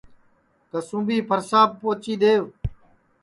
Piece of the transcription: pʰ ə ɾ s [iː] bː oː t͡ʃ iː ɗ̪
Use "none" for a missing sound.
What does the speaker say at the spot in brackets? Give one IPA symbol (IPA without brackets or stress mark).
aː